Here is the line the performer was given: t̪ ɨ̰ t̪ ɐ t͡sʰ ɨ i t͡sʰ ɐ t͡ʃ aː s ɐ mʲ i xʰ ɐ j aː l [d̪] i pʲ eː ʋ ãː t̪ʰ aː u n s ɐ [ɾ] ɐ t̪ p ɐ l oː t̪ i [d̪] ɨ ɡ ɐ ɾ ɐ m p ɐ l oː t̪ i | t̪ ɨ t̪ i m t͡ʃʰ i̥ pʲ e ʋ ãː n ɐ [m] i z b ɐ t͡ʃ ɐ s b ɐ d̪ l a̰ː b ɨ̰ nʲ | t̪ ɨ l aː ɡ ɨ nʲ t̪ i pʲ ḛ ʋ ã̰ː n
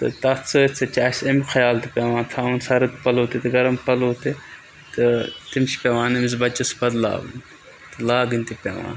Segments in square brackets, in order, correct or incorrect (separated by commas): incorrect, correct, incorrect, correct